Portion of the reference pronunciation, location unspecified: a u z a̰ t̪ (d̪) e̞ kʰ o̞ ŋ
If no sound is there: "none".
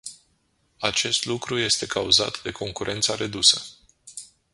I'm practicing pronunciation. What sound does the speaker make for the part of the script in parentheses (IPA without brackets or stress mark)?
d̪